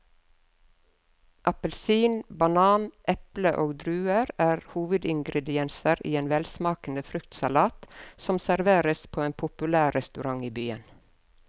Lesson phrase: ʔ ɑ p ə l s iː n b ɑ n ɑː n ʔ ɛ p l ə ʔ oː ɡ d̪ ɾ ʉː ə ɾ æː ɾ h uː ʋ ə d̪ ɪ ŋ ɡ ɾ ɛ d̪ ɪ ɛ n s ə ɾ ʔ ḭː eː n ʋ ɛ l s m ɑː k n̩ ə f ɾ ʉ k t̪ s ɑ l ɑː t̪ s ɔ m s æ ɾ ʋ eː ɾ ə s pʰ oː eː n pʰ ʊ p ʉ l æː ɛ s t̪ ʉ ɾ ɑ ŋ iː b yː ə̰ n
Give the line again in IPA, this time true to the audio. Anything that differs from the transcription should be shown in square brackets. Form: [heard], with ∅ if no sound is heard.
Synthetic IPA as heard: ʔ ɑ p ə l s iː n b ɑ n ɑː n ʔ ɛ p l ə ʔ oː ɡ d̪ ɾ ʉː ə ɾ æː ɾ h uː ʋ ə d̪ ɪ ŋ ɡ ɾ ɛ d̪ ɪ ɛ n s ə ɾ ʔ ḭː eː n ʋ ɛ l s m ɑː k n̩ ə f ɾ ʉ k t̪ s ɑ l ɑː t̪ s ɔ m s æ ɾ ʋ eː ɾ ə s pʰ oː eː n pʰ ʊ p ʉ l æː ɛ s t̪ ʉ ɾ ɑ ŋ iː b yː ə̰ n